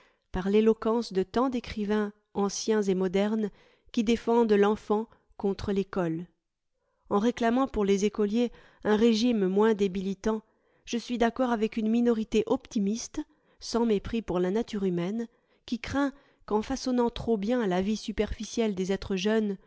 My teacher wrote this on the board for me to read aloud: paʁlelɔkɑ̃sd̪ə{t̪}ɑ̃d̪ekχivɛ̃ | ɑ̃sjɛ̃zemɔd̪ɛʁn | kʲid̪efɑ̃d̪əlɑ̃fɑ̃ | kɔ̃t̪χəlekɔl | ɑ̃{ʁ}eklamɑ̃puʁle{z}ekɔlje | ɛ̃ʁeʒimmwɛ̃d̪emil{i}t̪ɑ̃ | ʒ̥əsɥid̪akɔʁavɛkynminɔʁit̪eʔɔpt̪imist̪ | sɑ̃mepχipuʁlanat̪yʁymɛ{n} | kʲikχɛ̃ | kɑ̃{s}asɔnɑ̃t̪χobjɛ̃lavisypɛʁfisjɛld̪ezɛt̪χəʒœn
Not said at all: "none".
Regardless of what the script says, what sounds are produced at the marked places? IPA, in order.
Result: t̪, ʁ, z, i, n, f

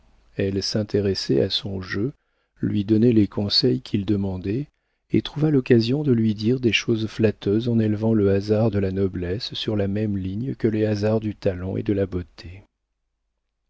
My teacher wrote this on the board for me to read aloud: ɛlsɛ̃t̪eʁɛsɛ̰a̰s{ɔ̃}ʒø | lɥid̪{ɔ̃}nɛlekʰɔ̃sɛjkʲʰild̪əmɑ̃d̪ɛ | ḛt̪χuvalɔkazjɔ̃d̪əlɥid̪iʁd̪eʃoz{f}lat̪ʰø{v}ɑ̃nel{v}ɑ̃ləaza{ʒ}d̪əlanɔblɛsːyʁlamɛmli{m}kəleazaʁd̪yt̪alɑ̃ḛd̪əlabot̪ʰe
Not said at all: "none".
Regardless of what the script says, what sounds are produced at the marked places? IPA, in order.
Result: ɔ̃, ɔ, f, z, v, ʁ, ɲ

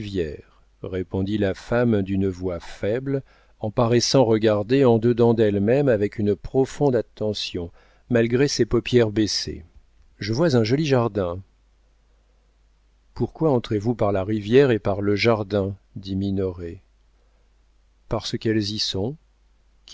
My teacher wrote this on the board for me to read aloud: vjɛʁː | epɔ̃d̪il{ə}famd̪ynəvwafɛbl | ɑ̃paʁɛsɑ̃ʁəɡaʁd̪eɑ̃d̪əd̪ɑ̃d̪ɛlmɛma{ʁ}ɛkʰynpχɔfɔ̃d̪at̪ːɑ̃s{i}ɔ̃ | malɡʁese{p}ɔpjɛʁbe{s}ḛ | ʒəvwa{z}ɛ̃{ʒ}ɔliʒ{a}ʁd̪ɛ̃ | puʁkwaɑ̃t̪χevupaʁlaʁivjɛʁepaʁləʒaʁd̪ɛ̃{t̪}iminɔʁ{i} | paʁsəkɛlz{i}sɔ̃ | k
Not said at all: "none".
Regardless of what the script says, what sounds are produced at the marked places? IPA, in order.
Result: a, v, j, p, s, z, ʒ, a, d̪, e, i

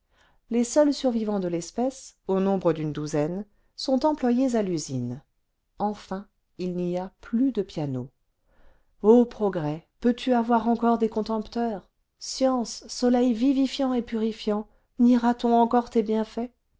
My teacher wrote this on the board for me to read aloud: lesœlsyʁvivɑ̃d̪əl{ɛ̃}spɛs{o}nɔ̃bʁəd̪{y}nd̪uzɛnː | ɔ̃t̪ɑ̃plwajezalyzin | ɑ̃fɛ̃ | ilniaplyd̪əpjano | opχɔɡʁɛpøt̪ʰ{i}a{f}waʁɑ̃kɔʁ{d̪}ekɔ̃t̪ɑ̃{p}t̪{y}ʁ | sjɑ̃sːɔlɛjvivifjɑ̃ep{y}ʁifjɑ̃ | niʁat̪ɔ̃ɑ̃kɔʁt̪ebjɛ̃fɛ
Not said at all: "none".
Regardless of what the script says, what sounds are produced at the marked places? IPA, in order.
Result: ɛ, o, y, y, v, d̪, p, œ, y

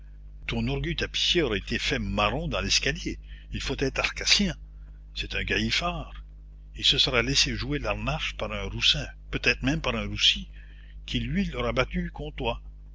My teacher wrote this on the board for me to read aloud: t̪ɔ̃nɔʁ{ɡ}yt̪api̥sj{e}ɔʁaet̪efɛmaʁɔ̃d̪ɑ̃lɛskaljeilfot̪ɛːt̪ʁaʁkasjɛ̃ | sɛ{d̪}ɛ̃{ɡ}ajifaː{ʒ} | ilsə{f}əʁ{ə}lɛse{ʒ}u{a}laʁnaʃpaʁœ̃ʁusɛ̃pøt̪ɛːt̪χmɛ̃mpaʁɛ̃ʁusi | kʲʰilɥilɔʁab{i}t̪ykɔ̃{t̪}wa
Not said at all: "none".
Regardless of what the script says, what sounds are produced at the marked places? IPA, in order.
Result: ɡ, e, t̪, ɡ, ʁ, s, a, ʒ, e, a, t̪

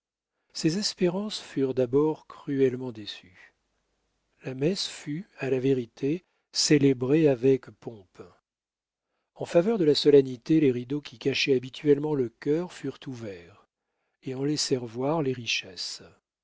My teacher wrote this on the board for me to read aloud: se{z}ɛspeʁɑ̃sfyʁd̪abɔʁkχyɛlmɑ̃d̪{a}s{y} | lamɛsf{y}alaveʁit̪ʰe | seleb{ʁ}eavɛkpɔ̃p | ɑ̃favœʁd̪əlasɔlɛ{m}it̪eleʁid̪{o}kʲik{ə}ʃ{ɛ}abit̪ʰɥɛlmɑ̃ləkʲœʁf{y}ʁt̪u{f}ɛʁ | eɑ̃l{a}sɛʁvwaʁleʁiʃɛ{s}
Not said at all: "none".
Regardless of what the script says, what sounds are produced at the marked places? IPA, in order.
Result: z, e, y, y, ʁ, n, o, a, ɛ, y, v, ɛ, s

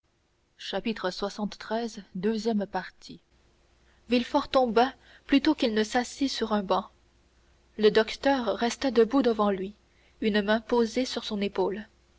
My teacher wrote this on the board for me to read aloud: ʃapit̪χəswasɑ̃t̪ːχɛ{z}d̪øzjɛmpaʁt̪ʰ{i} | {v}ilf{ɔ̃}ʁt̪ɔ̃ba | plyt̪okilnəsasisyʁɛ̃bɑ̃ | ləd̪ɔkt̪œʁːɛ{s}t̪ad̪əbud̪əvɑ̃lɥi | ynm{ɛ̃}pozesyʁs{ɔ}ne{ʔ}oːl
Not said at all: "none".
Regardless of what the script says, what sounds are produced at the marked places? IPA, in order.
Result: z, i, v, ɔ, s, ɛ̃, ɔ̃, p

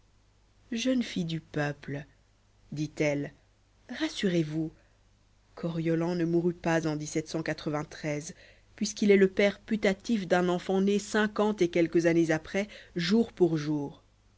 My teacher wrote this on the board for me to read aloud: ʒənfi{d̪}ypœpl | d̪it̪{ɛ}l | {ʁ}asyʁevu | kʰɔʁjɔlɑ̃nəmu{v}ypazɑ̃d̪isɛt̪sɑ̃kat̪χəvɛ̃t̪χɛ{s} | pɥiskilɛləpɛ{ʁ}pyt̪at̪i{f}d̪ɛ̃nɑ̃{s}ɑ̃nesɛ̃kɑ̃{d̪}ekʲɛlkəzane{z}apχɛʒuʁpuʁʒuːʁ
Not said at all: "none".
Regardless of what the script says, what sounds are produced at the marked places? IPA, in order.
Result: d̪, ɛ, ʁ, ʁ, z, ʁ, f, f, t̪, z

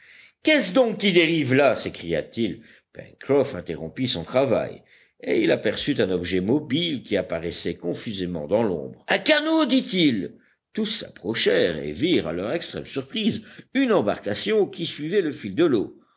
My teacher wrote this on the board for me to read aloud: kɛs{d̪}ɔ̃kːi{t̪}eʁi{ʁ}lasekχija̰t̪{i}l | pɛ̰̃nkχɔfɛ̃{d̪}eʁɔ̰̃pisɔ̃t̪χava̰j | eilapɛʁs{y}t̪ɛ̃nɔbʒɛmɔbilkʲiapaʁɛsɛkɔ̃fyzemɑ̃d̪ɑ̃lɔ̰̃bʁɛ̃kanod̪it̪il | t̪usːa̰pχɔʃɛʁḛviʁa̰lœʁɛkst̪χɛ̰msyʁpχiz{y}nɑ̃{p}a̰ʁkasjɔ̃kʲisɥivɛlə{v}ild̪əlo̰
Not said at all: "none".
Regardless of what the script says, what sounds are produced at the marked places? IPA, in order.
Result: d̪, d̪, v, i, t̪, y, y, b, f

